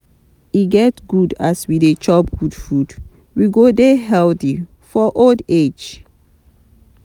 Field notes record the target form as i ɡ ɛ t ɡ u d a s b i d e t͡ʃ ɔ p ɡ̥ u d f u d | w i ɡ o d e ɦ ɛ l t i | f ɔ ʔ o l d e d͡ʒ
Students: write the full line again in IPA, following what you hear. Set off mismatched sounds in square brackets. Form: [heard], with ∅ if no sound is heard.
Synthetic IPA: i ɡ ɛ t ɡ u d a s [w] i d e t͡ʃ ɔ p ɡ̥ u d f u d | w i ɡ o d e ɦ ɛ l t i | f ɔ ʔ o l d e d͡ʒ